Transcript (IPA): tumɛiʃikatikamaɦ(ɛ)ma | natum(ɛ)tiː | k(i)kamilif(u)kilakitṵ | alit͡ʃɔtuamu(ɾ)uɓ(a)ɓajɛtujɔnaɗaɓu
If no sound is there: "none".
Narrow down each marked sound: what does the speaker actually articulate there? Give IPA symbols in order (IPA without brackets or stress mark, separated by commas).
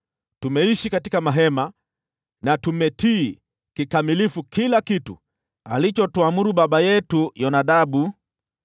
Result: ɛ, ɛ, i, u, ɾ, a